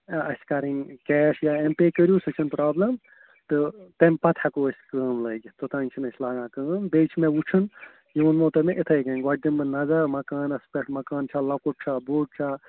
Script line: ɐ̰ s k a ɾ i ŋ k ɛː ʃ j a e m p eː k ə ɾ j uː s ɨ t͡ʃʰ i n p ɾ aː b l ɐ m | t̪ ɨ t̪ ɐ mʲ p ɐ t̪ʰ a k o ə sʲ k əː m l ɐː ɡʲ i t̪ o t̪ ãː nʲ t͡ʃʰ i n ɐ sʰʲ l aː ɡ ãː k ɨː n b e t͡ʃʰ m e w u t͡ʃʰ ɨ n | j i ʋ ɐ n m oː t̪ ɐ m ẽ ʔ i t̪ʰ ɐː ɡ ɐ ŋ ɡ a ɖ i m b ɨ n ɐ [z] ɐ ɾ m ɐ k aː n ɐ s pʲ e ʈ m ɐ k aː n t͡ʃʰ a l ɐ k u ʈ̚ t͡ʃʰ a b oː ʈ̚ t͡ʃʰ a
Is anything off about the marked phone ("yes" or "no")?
no